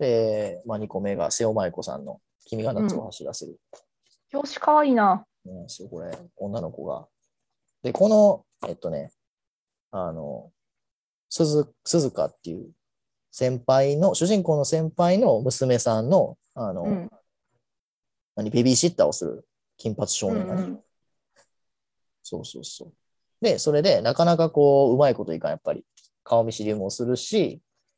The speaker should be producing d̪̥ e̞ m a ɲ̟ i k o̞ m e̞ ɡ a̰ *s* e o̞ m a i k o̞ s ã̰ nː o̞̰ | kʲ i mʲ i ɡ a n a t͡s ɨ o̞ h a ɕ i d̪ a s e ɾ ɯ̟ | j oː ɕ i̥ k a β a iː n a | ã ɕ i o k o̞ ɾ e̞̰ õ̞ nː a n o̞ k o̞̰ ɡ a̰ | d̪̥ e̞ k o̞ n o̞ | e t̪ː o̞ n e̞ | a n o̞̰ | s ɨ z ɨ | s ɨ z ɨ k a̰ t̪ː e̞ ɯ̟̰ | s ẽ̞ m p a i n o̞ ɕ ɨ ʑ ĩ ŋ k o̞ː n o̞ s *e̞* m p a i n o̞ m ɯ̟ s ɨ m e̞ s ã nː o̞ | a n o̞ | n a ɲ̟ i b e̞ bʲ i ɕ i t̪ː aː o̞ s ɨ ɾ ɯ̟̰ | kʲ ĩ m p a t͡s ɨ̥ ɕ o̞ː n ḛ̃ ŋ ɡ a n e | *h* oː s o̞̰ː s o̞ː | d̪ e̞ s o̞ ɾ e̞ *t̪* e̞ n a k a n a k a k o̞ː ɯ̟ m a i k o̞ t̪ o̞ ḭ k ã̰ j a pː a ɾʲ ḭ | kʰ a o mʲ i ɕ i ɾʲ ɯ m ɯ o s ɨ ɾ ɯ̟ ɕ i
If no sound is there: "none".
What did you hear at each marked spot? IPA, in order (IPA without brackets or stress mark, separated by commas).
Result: s, ẽ̞, s, d̪